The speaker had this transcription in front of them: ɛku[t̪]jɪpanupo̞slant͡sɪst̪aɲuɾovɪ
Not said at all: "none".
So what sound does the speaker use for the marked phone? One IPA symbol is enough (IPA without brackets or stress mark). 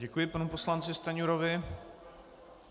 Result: none